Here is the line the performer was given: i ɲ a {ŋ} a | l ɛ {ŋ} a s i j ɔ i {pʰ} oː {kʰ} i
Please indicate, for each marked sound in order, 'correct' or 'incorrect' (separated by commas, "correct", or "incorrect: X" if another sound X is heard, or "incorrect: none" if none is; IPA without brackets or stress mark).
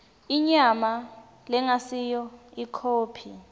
incorrect: m, correct, incorrect: kʰ, incorrect: pʰ